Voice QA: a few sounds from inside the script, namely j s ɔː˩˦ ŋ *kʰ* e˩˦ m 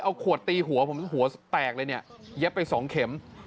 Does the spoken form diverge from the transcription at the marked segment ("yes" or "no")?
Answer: no